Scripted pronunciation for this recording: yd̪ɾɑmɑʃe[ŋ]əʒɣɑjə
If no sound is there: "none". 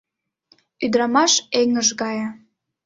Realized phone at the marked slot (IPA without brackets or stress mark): ŋ